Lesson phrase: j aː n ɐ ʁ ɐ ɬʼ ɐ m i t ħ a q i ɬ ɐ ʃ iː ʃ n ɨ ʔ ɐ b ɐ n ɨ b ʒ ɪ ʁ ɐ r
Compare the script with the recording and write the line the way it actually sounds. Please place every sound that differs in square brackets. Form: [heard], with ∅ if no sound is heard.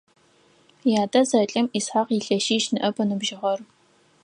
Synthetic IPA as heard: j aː [d] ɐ [z] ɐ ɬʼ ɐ m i [s] ħ a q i ɬ ɐ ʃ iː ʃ n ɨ ʔ ɐ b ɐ n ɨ b ʒ ɪ ʁ ɐ r